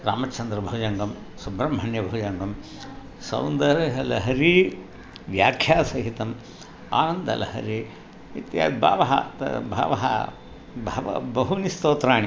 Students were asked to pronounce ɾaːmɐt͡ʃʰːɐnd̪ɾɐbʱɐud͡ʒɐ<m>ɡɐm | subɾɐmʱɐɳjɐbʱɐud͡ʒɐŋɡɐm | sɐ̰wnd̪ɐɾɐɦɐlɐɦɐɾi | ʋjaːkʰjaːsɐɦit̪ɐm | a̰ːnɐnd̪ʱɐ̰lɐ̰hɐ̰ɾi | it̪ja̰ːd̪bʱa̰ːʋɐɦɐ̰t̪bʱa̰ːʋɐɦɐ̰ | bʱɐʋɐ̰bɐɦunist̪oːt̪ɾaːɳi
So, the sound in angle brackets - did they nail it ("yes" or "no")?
no